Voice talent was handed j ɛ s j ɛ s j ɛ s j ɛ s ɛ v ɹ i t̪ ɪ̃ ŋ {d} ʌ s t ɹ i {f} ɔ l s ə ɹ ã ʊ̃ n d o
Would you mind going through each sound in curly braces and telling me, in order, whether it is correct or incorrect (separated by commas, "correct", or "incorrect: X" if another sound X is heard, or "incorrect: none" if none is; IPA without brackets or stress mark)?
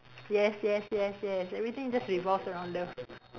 incorrect: d͡ʒ, incorrect: v